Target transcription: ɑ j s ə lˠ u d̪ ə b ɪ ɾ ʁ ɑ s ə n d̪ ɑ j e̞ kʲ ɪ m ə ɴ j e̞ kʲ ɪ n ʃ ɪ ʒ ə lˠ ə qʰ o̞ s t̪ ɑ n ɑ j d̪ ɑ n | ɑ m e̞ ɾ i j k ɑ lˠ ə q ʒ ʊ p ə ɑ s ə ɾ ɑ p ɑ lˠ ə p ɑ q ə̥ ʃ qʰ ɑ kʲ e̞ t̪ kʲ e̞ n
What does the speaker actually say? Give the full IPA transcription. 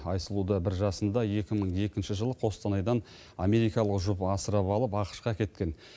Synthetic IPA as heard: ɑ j s ə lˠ u d̪ ə b ɪ ɾ ʒ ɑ s ə n d̪ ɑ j e̞ kʲ ɪ m ə ɴ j e̞ kʲ ɪ n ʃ ɪ ʒ ə lˠ ə qʰ o̞ s t̪ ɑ n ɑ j d̪ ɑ n | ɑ m e̞ ɾ i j k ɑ lˠ ə q ʒ ʊ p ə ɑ s ə ɾ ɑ p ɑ lˠ ə p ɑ q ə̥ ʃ q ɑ kʲ e̞ t̪ kʲ e̞ n